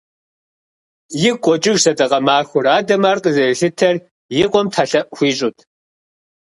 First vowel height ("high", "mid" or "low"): high